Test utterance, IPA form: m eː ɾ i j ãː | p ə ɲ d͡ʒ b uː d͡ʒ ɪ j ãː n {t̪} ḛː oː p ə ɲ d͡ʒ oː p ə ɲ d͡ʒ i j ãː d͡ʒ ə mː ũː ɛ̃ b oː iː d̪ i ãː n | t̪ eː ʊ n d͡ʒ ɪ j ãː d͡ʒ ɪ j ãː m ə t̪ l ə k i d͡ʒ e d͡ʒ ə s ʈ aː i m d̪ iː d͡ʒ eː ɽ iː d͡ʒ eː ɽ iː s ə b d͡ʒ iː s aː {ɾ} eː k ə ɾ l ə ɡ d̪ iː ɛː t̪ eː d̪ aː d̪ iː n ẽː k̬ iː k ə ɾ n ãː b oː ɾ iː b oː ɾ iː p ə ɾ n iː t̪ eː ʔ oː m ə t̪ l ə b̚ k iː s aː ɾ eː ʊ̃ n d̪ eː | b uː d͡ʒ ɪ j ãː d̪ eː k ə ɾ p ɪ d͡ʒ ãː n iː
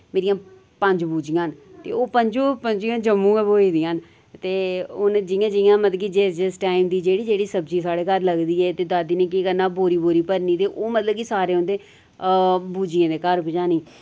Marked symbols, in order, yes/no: yes, no

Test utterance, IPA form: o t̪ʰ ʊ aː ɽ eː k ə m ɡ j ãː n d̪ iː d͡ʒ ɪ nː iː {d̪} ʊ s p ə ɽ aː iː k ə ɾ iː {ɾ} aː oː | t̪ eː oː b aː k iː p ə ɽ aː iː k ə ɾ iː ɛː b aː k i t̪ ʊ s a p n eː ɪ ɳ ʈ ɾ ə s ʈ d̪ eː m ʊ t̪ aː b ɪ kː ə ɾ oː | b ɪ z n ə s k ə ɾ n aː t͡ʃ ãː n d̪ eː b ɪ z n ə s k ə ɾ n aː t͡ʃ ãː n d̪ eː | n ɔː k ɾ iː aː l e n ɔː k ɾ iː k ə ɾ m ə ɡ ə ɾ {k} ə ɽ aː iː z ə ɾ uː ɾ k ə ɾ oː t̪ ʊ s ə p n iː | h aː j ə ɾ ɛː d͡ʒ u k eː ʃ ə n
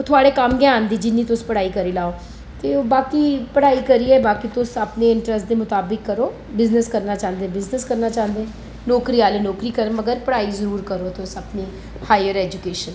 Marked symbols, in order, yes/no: no, no, no

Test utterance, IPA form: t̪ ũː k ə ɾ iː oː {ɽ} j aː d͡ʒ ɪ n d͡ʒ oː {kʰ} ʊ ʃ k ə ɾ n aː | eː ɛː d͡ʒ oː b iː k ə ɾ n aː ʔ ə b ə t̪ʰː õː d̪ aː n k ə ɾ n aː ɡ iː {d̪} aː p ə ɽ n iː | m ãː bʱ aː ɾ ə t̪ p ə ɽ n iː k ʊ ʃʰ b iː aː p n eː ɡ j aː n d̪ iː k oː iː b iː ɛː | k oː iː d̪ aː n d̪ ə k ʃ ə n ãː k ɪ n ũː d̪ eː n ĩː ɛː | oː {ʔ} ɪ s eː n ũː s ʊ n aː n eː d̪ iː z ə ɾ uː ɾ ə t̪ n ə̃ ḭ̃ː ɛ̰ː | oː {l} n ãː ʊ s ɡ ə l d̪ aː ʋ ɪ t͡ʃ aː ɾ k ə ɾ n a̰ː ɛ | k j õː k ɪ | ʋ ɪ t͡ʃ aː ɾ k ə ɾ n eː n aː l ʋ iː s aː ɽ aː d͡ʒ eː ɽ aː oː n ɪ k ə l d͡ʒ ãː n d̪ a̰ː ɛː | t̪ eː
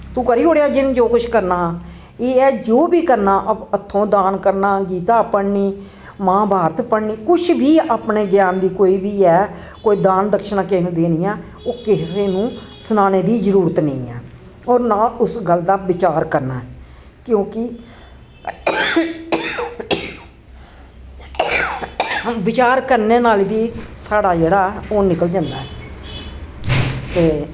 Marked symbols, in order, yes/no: yes, no, no, no, no

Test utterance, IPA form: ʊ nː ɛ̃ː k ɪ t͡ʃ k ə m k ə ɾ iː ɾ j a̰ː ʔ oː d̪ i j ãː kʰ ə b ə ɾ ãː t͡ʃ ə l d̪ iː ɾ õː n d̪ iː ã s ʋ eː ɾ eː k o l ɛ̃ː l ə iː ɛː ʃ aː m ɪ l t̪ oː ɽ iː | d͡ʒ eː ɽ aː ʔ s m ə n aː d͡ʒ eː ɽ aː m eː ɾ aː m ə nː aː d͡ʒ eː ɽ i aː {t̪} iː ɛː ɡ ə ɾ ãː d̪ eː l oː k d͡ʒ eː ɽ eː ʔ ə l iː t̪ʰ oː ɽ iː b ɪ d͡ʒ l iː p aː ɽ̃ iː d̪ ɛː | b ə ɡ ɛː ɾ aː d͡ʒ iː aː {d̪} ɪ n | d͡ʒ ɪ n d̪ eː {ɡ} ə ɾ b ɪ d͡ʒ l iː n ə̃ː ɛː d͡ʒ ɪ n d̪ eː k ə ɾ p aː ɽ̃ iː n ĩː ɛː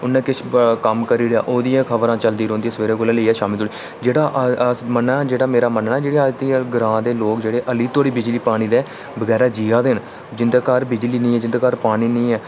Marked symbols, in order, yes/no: yes, yes, no

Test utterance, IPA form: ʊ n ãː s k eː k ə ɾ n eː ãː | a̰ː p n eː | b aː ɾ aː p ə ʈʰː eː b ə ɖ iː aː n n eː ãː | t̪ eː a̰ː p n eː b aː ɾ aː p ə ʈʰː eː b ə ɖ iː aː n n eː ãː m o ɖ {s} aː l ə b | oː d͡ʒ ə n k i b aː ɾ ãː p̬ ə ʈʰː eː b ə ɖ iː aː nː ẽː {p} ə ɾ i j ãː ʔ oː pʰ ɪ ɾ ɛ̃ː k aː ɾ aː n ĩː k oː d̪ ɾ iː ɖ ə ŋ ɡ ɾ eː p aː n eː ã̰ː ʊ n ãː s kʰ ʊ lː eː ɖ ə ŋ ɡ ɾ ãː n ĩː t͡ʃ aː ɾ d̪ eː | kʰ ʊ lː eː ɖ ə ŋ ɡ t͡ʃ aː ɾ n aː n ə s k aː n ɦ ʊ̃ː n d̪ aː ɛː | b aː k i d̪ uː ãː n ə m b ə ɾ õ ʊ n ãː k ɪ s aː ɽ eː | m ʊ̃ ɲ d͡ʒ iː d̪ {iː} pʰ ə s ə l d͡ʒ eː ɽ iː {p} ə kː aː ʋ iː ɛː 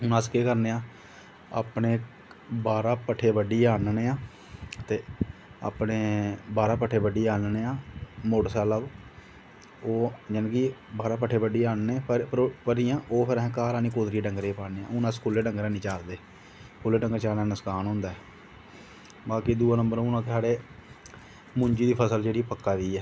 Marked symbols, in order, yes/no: yes, yes, yes, yes

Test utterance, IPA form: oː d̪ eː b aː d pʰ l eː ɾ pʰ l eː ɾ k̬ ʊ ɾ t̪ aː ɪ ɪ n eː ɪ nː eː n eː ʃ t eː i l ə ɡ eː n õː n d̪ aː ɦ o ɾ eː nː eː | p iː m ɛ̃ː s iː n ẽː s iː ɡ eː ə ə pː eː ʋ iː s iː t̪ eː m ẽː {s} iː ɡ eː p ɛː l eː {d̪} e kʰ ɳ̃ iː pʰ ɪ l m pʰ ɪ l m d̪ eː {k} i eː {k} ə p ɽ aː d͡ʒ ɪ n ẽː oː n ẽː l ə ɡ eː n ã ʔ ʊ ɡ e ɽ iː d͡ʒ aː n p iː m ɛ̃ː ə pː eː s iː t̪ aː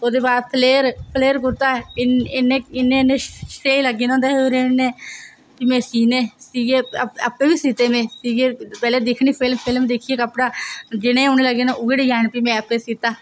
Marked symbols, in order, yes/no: yes, yes, no, yes

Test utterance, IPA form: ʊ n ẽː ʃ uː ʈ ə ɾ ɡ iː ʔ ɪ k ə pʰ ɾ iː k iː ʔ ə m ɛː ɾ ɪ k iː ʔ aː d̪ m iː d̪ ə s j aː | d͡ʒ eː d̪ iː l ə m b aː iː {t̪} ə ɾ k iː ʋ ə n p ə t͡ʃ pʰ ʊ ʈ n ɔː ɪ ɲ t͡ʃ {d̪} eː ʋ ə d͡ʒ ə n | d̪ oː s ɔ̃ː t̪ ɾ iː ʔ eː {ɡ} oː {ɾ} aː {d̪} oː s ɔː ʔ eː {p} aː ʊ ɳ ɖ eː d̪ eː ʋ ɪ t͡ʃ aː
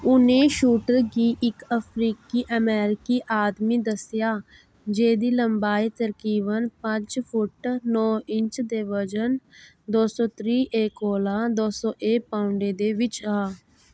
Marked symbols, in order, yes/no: yes, yes, no, no, yes, yes

